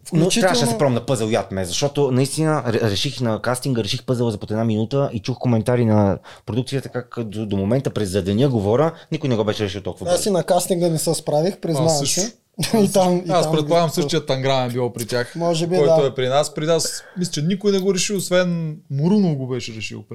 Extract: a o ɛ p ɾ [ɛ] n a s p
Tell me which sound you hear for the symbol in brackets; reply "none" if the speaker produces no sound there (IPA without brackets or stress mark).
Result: i